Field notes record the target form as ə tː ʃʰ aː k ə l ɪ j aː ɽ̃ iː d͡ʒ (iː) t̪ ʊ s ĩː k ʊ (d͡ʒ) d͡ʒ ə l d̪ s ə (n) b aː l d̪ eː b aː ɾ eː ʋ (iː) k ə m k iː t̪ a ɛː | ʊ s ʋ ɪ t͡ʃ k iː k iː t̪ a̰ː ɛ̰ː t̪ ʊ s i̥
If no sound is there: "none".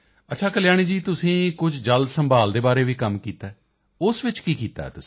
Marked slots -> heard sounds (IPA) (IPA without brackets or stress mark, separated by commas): iː, d͡ʒ, m, iː